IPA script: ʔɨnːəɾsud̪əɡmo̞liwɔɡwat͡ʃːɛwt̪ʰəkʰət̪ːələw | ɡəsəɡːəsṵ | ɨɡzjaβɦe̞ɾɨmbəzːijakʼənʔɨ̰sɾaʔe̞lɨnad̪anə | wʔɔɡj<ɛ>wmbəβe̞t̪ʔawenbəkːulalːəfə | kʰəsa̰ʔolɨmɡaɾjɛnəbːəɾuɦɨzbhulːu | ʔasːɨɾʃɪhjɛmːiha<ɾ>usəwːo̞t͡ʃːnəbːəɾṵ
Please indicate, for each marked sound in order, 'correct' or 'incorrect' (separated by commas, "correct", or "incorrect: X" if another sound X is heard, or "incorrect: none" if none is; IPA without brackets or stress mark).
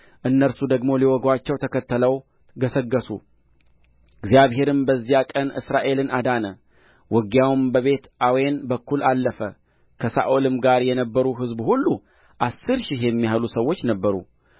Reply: incorrect: a, incorrect: l